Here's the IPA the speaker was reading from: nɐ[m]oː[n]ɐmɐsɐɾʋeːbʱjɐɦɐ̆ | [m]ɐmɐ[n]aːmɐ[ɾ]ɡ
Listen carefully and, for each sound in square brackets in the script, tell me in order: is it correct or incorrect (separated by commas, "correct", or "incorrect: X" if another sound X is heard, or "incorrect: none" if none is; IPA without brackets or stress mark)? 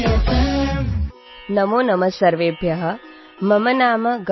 correct, correct, correct, correct, incorrect: none